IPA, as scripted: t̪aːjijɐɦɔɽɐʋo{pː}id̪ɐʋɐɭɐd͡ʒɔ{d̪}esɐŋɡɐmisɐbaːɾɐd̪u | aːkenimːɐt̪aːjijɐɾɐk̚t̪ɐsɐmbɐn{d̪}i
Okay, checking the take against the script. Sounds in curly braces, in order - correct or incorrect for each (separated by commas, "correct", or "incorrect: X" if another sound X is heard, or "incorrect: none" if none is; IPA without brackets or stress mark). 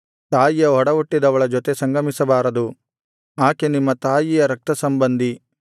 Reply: incorrect: ʈː, incorrect: t̪, correct